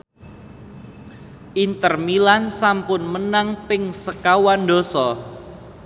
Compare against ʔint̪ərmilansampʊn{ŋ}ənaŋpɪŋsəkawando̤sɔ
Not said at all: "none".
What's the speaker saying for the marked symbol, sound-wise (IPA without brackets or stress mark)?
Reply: m